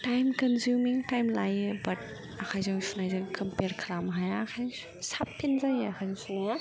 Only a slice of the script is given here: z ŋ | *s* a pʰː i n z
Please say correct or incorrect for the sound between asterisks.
correct